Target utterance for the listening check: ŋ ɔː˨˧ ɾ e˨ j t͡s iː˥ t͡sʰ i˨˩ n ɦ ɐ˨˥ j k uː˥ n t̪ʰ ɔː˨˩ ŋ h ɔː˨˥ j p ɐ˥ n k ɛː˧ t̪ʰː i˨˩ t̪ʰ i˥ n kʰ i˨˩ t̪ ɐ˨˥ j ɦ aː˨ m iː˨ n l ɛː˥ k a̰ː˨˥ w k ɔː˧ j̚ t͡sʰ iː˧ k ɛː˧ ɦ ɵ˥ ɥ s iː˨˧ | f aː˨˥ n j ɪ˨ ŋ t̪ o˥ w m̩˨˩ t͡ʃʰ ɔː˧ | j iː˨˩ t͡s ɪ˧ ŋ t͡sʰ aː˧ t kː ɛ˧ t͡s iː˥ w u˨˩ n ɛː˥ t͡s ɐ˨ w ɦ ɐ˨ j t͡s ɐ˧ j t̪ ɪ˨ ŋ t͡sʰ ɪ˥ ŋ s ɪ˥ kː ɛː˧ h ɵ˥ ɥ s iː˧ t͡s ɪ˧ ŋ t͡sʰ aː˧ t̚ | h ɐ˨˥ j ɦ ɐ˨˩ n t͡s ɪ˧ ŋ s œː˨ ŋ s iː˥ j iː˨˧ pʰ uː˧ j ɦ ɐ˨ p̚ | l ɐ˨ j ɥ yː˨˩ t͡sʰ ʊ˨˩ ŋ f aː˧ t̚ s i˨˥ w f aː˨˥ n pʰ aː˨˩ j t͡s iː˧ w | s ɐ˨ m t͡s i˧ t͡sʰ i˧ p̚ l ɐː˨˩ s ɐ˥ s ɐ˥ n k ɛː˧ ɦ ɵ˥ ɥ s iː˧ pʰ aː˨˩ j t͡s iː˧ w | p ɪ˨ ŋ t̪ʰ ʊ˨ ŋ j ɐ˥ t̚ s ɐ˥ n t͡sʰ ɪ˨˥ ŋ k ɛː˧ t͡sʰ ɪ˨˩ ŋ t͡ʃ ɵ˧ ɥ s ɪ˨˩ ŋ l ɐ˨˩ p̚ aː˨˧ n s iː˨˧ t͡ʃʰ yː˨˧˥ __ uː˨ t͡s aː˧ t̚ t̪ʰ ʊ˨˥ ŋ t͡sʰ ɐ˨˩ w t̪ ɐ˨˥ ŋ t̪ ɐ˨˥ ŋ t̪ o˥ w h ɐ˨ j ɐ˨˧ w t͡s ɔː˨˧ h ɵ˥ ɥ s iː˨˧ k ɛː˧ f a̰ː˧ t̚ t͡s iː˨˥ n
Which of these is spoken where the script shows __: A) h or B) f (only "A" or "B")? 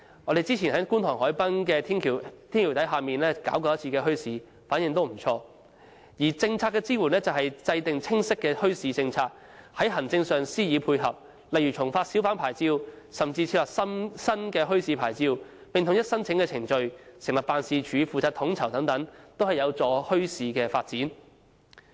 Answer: B